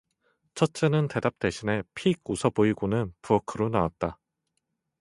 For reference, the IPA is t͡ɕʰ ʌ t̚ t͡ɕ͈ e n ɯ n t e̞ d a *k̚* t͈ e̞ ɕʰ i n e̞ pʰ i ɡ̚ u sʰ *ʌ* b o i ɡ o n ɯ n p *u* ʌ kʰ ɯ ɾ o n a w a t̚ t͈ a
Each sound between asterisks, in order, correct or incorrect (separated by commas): incorrect, correct, correct